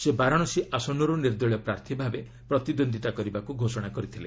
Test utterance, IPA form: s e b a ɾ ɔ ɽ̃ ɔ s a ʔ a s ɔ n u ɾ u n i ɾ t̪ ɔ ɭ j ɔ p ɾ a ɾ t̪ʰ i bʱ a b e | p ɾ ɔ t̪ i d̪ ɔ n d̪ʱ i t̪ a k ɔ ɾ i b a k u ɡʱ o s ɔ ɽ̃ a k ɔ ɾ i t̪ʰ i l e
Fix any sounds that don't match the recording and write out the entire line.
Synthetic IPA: s e b a ɾ ɔ ɽ̃ ɔ s i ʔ a s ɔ n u ɾ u n i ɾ d̪ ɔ ɭ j ɔ p ɾ a ɾ t̪ʰ i bʱ a b e | p ɾ ɔ t̪ i d̪ o n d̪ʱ i t̪ a k ɔ ɾ i b a k u ɡʱ o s ɔ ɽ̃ a k ɔ ɾ i t̪ʰ i l e